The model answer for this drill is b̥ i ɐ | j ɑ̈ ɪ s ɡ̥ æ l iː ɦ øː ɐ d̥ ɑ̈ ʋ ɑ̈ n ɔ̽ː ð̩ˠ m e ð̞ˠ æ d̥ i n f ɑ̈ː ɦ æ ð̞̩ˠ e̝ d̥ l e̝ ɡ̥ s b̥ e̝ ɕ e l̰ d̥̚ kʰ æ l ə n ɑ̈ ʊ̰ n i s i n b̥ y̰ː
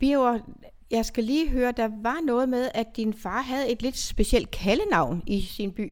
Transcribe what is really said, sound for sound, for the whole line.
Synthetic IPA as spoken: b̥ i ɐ | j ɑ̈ ɪ s ɡ̥ æ l iː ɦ øː ɐ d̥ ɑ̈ ʋ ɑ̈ n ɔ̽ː ð̩ˠ m e ð̞ˠ æ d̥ i n f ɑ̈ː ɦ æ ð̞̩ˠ e̝ d̥ l e̝ d̥ s b̥ e̝ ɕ e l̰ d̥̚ kʰ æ l ə n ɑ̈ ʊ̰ n i s i n b̥ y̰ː